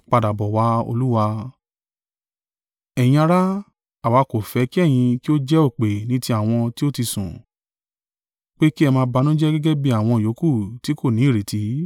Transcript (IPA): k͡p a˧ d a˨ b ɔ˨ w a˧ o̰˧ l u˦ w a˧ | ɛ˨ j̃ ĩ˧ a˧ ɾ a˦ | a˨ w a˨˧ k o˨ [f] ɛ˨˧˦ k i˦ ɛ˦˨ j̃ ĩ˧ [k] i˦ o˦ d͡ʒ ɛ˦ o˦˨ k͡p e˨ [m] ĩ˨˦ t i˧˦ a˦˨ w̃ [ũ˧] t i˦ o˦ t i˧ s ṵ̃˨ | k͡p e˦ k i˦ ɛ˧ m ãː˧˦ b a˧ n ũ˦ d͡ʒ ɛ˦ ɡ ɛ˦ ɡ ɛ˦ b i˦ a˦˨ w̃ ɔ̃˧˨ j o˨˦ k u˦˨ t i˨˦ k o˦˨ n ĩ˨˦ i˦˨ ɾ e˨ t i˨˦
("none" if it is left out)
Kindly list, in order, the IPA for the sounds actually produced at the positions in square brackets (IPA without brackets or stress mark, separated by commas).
f, k, n, ɔ̃˧